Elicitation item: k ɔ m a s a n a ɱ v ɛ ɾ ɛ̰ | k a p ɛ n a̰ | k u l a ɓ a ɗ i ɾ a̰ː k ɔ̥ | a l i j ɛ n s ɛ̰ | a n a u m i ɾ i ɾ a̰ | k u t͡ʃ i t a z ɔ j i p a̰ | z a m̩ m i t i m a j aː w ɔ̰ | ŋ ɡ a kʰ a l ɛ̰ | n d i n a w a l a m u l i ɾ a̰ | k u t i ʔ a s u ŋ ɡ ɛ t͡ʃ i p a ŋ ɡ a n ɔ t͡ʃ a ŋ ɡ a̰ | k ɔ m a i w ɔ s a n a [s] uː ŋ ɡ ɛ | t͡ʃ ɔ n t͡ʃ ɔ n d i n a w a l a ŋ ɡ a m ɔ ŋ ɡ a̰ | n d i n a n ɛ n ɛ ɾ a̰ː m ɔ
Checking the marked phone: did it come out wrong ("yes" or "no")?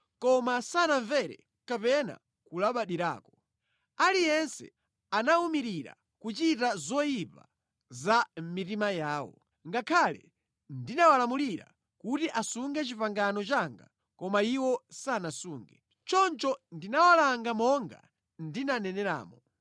no